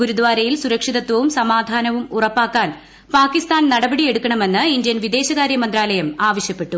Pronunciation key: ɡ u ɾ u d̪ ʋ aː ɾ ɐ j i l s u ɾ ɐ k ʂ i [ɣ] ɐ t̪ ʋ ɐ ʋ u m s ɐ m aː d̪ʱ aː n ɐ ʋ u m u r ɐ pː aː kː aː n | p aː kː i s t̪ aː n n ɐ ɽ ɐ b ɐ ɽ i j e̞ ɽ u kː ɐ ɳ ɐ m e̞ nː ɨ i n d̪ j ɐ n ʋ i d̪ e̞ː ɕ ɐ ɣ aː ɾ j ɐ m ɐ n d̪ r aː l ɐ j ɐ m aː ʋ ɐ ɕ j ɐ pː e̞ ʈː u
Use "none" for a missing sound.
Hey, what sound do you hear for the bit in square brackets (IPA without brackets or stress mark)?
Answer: ð